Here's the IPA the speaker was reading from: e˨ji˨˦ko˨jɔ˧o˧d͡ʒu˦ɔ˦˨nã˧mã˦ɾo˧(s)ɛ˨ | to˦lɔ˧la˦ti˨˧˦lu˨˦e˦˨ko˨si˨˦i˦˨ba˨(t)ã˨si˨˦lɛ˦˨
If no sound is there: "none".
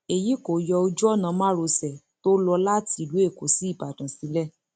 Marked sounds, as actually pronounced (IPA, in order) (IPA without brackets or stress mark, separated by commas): s, d